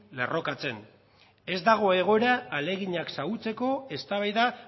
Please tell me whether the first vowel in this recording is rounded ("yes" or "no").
no